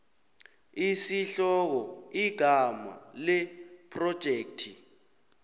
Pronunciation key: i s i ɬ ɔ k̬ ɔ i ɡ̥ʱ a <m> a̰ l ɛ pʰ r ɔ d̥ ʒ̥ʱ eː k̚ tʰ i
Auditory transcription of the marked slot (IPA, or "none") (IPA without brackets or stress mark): m